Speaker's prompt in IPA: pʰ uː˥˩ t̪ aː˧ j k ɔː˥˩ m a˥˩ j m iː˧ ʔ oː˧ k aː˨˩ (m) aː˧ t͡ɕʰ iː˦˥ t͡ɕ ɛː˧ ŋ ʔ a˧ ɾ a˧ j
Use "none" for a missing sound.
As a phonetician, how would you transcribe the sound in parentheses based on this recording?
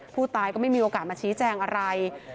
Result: m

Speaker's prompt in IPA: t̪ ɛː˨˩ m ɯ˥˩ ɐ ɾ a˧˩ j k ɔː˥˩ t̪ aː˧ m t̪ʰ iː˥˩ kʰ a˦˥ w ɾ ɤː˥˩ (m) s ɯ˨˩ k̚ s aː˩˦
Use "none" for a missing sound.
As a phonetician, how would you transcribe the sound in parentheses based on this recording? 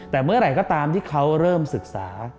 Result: m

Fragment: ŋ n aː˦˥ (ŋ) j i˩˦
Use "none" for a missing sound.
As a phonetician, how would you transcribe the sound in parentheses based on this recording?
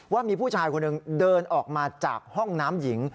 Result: m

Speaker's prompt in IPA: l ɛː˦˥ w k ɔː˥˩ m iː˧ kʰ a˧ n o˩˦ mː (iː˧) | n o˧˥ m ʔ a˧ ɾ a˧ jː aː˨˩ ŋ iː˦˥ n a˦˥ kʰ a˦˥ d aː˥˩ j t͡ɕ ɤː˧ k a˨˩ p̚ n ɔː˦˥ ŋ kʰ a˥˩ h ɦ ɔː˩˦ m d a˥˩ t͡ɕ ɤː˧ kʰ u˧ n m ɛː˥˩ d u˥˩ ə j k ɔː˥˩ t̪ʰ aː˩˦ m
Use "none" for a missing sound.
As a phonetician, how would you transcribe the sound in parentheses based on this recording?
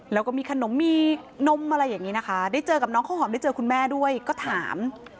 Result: iː˧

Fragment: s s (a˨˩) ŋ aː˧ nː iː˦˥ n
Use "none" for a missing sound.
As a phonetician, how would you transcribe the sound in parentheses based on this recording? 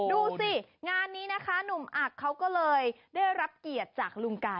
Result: i˨˩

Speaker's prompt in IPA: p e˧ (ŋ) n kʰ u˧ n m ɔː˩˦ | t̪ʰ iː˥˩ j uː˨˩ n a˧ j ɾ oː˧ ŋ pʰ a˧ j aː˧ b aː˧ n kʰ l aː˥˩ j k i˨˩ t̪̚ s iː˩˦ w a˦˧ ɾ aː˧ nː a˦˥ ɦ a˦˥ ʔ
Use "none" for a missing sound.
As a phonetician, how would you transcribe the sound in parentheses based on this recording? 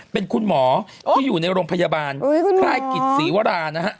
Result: none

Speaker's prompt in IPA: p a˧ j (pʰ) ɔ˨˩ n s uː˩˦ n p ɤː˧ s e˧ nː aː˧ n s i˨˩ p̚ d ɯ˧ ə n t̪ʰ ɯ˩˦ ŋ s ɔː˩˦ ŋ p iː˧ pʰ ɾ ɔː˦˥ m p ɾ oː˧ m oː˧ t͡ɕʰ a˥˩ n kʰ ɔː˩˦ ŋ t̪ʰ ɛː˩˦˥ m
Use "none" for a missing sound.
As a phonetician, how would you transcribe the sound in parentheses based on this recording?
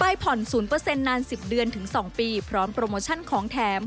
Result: pʰ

